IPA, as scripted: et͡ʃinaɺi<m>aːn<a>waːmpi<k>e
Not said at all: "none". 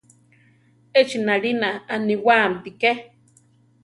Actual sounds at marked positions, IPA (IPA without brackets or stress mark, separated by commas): n, i, k